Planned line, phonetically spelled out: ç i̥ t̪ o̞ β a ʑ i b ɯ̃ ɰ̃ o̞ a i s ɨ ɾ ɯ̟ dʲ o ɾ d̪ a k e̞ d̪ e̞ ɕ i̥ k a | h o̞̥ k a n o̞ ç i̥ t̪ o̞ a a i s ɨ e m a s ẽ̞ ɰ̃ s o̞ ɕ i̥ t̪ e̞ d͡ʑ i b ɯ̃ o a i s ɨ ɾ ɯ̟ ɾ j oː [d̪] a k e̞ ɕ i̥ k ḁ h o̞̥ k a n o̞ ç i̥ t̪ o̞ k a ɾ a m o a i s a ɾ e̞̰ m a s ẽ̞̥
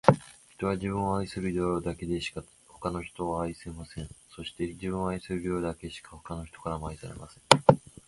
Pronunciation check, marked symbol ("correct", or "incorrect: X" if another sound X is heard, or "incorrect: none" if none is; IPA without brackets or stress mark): correct